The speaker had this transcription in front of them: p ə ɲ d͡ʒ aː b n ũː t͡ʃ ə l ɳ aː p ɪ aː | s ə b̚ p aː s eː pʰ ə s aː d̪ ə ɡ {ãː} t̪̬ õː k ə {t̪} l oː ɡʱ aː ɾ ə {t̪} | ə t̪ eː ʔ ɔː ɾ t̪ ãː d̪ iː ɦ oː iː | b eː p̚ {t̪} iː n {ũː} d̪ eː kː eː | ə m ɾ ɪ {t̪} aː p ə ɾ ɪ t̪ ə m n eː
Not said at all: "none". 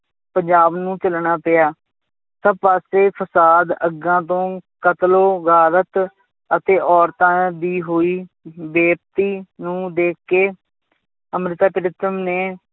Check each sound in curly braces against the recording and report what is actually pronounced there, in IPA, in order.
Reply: ãː, t̪, t̪, t̪, ũː, t̪

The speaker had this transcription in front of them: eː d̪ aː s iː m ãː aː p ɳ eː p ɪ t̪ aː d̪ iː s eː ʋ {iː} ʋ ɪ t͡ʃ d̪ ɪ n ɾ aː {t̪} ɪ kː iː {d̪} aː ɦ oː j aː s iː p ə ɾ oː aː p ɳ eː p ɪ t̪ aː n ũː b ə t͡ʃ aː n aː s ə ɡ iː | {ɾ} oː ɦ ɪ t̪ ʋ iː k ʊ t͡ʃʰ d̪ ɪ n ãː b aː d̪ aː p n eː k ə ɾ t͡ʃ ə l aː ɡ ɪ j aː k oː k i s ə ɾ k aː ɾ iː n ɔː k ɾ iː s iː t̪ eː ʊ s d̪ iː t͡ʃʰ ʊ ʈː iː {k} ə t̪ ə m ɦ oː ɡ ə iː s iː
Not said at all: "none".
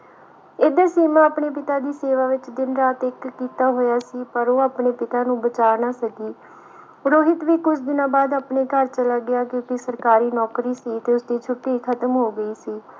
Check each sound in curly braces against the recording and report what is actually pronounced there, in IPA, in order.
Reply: aː, t̪, t̪, ɾ, kʰ

